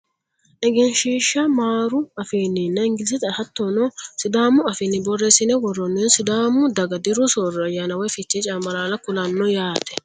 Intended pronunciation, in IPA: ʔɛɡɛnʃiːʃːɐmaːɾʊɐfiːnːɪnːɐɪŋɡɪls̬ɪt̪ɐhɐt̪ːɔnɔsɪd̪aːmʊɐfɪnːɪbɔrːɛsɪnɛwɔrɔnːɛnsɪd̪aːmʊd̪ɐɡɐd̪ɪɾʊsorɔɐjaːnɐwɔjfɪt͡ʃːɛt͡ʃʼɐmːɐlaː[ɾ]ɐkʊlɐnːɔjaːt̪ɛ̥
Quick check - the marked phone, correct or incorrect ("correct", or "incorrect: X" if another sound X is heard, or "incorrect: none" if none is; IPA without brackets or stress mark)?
incorrect: l